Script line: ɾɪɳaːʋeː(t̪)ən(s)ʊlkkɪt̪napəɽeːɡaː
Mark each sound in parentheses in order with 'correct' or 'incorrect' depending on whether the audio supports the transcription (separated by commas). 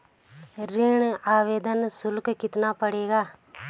incorrect, correct